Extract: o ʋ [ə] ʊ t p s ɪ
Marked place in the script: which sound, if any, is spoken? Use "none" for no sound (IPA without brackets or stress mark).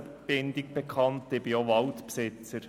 ɑ